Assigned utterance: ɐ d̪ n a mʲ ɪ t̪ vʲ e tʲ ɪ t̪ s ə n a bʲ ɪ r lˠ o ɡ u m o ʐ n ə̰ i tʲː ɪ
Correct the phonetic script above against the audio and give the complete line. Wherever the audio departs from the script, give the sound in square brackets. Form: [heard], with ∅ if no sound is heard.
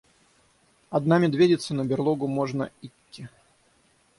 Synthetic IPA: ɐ d̪ n a mʲ ɪ [d̪] vʲ e [dʲ] ɪ t̪ s ə n [ə] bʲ ɪ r lˠ o ɡ [ʊ] m o ʐ n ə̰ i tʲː ɪ